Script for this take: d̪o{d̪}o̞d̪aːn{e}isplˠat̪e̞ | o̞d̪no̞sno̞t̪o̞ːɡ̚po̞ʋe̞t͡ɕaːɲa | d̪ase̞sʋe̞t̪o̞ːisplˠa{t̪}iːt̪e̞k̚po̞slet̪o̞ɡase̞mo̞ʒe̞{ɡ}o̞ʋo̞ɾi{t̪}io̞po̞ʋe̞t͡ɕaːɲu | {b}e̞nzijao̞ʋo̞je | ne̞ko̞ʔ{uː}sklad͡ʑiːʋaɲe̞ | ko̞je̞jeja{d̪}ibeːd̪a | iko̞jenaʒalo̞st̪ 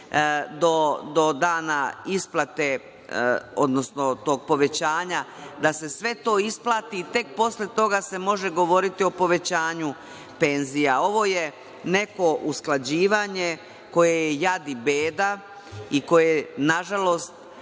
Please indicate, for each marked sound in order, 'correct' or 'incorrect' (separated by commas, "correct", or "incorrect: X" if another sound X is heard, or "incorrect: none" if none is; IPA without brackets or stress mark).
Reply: correct, incorrect: a, correct, correct, correct, incorrect: p, incorrect: u, correct